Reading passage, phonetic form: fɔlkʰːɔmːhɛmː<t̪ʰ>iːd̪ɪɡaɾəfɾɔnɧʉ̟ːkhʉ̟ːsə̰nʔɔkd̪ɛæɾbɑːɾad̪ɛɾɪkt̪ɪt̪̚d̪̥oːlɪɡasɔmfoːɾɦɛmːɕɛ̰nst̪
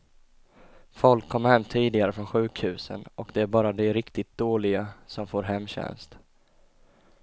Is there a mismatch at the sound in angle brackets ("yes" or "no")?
no